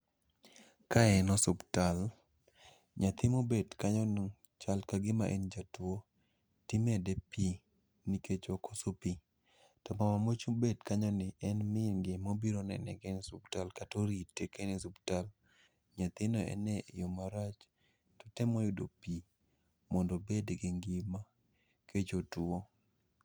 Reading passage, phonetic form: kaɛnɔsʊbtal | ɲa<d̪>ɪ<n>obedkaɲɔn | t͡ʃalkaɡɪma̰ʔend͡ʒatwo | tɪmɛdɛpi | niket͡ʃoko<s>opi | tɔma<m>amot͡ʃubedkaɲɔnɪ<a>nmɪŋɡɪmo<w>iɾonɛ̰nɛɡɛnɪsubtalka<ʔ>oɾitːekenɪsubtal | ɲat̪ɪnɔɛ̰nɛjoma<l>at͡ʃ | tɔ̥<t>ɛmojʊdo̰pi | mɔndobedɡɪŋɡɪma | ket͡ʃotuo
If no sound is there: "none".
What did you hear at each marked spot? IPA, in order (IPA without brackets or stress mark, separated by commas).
t̪, m, s, m, ɛ, b, t, ɾ, t